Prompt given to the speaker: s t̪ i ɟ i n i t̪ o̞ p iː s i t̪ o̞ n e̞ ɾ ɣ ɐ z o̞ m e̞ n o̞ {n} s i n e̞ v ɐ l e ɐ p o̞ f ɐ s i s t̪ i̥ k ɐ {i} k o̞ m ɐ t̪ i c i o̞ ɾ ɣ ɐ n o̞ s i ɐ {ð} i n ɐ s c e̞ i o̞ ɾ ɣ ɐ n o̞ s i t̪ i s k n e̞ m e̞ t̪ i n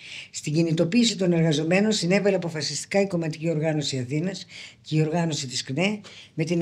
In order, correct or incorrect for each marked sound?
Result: correct, correct, incorrect: θ

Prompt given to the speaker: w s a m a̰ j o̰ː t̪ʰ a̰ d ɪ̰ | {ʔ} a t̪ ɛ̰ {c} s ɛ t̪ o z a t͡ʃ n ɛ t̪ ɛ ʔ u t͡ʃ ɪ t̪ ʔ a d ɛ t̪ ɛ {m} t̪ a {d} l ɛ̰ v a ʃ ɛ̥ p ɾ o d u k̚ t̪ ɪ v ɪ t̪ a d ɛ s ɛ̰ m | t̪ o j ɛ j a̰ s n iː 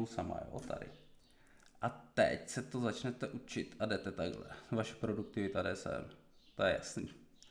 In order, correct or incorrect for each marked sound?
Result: correct, correct, incorrect: none, incorrect: ɡ

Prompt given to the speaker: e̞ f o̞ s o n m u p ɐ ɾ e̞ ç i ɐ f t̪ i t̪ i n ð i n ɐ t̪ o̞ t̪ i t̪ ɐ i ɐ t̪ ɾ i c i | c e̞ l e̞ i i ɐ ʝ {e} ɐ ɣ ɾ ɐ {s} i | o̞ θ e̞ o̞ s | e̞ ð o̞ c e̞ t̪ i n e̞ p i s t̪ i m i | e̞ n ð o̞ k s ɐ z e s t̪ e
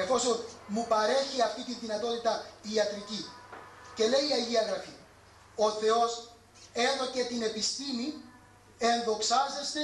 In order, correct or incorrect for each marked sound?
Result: incorrect: i, incorrect: f

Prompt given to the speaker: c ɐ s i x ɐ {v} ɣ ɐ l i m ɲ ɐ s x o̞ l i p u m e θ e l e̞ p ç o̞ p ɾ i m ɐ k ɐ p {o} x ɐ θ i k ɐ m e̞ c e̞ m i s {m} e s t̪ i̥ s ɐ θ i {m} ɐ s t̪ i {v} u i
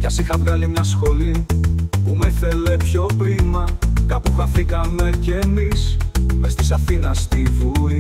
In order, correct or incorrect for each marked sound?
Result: correct, incorrect: u, correct, incorrect: n, correct

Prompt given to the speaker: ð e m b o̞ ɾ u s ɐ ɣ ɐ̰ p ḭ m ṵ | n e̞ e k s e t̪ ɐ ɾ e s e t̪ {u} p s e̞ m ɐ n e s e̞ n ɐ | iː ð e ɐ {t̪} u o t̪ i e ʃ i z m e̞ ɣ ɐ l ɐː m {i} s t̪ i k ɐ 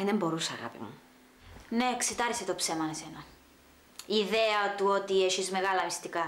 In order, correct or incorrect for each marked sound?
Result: incorrect: o, correct, correct

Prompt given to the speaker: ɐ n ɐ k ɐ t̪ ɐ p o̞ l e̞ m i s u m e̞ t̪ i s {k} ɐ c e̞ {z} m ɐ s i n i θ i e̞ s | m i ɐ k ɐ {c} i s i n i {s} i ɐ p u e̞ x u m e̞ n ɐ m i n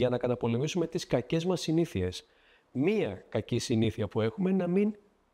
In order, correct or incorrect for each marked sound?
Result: correct, correct, correct, incorrect: θ

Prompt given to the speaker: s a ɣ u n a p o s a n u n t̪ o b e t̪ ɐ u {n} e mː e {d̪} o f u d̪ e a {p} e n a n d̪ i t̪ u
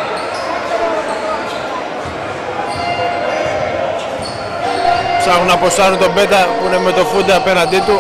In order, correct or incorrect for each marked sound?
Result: correct, incorrect: t̪, correct

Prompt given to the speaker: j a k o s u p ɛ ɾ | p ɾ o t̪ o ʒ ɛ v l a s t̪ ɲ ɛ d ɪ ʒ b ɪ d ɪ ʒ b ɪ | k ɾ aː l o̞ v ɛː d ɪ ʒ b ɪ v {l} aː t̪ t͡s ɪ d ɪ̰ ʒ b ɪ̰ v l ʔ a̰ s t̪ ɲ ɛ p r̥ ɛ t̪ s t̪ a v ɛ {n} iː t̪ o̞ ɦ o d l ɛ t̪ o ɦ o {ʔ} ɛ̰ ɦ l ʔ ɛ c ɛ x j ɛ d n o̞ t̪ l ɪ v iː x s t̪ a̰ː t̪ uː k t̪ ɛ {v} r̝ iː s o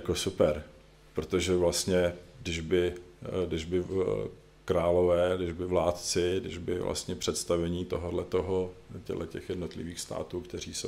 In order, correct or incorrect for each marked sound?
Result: correct, incorrect: ɲ, incorrect: c, incorrect: none

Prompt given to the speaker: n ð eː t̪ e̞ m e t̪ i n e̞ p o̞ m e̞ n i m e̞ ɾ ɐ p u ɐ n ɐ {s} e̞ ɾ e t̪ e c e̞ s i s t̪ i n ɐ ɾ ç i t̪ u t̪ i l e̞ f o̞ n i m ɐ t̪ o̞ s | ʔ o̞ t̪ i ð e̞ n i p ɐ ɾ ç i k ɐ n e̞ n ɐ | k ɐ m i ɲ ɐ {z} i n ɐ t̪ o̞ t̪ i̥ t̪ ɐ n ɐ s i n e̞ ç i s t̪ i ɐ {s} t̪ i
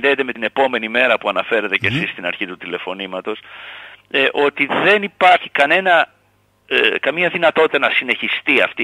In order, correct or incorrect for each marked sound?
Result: incorrect: f, incorrect: ð, incorrect: f

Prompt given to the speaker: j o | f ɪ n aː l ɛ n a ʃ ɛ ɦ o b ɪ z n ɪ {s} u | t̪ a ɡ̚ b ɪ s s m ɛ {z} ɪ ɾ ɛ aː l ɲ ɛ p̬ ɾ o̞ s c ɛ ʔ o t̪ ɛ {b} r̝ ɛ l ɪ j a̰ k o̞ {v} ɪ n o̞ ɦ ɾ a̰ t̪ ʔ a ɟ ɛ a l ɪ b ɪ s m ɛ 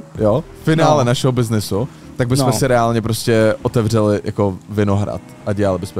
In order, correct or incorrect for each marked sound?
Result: correct, incorrect: s, incorrect: v, correct

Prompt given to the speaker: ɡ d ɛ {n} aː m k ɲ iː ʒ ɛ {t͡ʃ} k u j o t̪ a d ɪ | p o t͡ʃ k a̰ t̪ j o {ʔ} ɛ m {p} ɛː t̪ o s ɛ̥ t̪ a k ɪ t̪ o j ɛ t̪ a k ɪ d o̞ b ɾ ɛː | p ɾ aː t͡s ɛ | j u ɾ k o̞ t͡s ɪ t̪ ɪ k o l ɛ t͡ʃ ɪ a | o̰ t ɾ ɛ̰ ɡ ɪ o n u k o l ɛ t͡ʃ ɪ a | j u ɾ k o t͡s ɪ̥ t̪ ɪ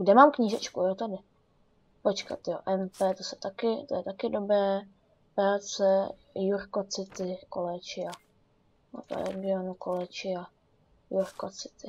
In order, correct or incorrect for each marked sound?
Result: incorrect: m, correct, correct, correct

